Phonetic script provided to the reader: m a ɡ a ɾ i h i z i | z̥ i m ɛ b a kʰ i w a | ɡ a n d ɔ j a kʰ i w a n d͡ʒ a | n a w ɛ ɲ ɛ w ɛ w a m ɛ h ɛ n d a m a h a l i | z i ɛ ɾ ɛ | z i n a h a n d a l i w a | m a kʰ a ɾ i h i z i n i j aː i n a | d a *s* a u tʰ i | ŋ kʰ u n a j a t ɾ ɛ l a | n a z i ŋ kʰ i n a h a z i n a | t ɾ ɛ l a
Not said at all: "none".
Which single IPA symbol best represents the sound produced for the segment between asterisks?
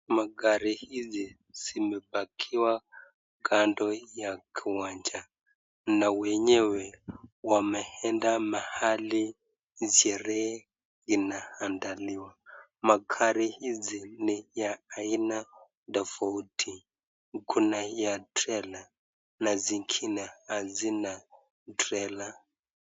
f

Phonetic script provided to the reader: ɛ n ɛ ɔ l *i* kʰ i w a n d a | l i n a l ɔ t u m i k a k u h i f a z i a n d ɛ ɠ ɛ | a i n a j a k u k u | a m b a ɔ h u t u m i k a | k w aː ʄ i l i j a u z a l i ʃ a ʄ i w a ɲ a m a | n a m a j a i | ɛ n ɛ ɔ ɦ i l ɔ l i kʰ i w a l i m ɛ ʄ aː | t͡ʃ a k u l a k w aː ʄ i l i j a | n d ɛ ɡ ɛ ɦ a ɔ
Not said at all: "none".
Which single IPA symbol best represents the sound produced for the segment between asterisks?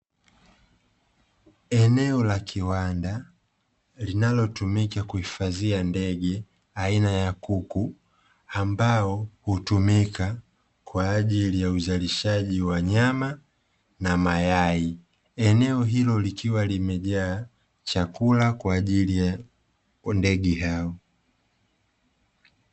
a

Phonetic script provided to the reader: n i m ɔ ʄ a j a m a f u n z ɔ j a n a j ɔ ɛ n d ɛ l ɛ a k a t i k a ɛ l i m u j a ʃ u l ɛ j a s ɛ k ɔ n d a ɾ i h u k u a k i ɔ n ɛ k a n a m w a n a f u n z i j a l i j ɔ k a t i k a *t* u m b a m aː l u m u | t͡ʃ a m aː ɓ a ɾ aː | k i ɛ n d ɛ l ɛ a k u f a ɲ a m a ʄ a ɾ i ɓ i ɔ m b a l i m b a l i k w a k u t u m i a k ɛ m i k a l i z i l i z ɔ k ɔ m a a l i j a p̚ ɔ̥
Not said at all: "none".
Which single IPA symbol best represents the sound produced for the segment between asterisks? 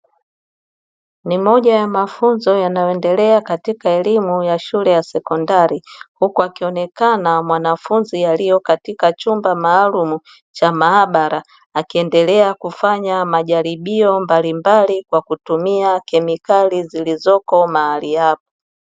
t͡ʃ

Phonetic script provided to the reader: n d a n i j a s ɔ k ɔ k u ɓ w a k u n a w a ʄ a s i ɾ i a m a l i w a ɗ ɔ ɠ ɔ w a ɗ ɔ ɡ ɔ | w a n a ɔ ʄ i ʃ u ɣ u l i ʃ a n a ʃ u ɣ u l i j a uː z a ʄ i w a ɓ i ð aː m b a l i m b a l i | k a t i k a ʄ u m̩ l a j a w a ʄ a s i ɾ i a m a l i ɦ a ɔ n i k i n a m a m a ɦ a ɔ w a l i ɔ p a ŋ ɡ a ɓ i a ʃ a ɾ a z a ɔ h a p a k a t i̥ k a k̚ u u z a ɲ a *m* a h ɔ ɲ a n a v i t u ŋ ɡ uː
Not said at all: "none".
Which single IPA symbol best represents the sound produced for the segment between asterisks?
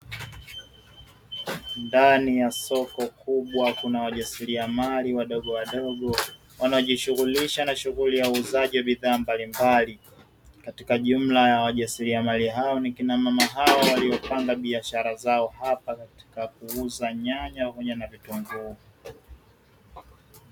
ɲ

